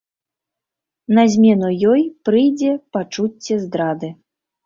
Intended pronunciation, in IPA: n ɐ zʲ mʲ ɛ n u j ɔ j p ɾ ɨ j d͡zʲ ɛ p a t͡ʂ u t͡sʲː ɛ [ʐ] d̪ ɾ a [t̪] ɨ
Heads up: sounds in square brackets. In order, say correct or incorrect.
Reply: incorrect, incorrect

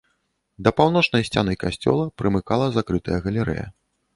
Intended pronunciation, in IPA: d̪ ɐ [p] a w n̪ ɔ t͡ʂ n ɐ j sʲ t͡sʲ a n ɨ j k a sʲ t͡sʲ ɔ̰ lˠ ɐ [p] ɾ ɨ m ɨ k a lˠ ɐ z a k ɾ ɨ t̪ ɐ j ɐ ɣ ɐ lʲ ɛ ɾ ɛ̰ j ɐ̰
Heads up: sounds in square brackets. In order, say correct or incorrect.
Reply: correct, correct

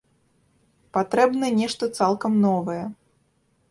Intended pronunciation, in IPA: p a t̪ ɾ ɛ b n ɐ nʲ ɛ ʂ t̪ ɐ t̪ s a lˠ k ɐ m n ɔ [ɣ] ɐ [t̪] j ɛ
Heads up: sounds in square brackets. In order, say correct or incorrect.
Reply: incorrect, incorrect

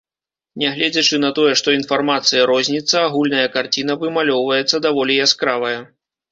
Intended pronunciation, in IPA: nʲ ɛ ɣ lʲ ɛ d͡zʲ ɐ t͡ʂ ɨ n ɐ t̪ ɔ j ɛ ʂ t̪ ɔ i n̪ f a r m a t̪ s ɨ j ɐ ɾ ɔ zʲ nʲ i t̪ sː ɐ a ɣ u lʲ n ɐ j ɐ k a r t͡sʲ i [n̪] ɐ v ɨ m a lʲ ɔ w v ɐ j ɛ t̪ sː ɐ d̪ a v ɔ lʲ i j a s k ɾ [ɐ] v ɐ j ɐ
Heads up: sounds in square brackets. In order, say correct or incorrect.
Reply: correct, incorrect

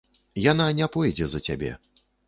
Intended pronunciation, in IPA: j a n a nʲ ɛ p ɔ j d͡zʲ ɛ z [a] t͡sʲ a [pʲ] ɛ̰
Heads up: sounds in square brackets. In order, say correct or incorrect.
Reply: incorrect, incorrect

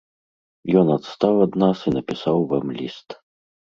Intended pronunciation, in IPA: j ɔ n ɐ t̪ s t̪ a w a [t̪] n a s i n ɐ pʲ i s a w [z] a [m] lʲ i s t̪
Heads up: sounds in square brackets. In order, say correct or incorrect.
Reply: incorrect, incorrect, correct

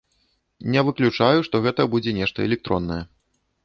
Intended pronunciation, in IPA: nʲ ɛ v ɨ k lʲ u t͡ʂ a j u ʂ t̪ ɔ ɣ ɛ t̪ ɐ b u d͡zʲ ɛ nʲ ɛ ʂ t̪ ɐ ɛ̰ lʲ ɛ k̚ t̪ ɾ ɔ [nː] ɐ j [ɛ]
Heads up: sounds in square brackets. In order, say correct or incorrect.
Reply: correct, correct

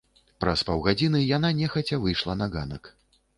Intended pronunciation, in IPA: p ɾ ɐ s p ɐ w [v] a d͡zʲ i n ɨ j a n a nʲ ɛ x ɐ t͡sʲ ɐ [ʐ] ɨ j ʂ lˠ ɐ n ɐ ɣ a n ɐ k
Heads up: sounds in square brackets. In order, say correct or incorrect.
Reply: incorrect, incorrect

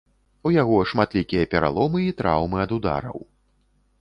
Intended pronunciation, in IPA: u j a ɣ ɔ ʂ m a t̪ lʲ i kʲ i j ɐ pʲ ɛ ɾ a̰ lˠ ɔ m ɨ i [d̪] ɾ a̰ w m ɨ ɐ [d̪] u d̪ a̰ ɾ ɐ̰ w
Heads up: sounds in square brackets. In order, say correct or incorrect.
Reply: incorrect, correct

